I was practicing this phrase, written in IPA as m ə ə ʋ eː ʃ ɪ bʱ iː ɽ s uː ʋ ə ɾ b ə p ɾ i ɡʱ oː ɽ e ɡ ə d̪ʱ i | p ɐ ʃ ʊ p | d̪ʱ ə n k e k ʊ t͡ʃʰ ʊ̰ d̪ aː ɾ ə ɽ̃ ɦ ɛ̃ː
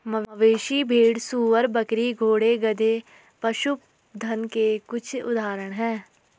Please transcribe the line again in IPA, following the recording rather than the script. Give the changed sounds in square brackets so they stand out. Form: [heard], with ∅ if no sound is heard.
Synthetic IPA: m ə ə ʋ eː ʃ [i] bʱ iː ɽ s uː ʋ ə ɾ b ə [k] ɾ i ɡʱ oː ɽ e ɡ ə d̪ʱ [e] | p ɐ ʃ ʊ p | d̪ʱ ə n k e k ʊ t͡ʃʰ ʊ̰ d̪ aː ɾ ə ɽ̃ ɦ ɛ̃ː